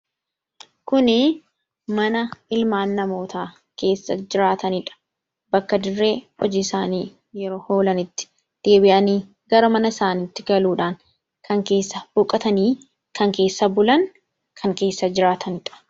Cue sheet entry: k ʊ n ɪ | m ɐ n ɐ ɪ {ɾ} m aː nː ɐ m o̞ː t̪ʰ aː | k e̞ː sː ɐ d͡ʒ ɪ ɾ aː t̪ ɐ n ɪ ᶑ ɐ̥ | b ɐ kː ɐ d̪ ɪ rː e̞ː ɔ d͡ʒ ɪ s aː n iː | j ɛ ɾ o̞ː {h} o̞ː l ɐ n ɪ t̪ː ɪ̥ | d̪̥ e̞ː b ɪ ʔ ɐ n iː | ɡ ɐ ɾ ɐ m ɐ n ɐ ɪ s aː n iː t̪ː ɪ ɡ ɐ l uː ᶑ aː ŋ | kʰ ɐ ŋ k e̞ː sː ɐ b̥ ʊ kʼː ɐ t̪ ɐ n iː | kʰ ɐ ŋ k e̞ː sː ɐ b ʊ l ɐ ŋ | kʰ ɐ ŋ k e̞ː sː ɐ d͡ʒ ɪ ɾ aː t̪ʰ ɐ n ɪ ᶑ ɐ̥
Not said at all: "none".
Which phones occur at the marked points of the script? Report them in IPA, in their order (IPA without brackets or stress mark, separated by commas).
l, h